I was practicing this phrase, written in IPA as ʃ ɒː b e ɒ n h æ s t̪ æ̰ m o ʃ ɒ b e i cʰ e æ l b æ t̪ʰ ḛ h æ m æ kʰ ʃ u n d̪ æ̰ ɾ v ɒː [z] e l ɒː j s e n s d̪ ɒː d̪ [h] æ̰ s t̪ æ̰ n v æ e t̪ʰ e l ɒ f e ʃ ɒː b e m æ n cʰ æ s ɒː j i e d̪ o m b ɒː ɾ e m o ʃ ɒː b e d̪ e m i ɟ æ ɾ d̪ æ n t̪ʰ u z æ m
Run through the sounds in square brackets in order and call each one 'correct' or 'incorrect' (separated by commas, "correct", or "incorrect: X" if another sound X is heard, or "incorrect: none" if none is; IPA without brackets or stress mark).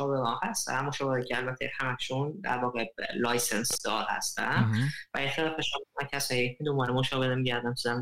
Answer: incorrect: ɣ, correct